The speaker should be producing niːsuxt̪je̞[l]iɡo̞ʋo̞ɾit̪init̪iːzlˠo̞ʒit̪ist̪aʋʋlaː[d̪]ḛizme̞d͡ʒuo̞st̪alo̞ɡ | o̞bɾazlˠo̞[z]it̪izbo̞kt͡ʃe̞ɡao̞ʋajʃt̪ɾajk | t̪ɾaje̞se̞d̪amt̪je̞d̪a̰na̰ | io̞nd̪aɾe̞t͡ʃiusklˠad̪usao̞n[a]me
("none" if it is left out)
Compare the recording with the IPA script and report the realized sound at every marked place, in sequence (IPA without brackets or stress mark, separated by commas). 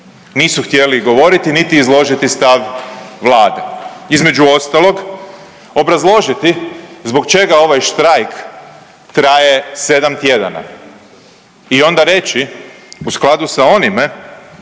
l, d̪, ʒ, i